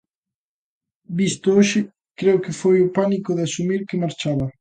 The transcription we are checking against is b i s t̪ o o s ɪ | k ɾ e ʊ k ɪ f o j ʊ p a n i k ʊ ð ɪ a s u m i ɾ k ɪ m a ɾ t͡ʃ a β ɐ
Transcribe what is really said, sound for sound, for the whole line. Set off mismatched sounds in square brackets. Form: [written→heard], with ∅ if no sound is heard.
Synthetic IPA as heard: b i s t̪ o o [s→ʃ] ɪ | k ɾ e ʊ k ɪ f o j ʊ p a n i k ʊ ð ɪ a s u m i ɾ k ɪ m a ɾ t͡ʃ a β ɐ